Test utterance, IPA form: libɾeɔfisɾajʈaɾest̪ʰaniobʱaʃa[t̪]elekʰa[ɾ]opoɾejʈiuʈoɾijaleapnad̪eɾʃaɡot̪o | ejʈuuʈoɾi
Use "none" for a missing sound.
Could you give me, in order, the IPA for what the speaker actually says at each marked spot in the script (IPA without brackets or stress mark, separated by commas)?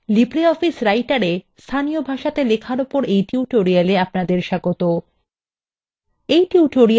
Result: t̪, ɾ